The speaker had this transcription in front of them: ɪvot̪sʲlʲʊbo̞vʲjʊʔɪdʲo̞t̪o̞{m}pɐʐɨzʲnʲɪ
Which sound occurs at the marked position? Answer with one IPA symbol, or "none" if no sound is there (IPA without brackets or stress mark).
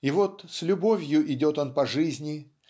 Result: n